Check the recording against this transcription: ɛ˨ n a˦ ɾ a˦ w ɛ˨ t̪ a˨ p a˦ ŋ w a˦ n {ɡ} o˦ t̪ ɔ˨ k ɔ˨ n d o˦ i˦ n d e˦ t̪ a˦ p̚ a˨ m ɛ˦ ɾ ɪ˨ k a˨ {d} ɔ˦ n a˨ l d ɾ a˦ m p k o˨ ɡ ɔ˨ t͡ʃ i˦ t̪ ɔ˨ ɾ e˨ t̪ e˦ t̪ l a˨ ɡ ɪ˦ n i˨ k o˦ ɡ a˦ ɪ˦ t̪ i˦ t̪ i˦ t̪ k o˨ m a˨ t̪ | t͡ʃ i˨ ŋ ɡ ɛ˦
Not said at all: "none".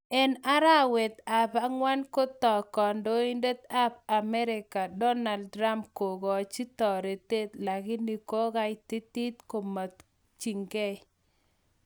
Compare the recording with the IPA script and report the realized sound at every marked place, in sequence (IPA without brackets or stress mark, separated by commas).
k, d